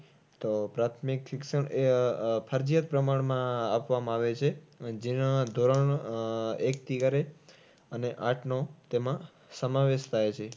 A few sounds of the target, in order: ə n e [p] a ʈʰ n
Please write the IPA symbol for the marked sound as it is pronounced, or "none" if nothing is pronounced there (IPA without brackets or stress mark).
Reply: ʔ